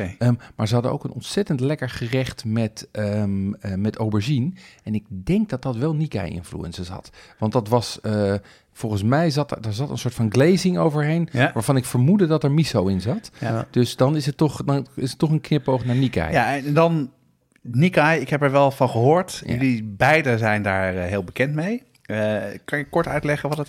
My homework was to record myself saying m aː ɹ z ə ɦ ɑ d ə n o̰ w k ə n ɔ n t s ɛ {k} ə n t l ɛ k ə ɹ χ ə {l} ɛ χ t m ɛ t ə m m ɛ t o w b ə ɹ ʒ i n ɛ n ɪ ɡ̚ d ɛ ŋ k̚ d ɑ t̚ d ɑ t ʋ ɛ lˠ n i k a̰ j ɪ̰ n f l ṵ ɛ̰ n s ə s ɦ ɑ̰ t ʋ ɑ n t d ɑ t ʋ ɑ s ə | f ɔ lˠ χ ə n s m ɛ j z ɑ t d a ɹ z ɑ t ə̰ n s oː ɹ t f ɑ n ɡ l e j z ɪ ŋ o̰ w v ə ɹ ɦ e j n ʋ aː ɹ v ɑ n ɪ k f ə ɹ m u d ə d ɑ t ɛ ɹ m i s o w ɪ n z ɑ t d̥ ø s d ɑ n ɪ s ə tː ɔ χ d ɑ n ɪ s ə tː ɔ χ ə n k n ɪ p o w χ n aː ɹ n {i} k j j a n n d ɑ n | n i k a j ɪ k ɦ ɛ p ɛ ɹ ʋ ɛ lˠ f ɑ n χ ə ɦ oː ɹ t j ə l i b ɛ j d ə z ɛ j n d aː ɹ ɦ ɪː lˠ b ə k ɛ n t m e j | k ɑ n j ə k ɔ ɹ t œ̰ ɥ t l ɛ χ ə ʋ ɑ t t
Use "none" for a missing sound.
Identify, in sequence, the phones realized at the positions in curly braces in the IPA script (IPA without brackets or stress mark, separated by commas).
t, r, i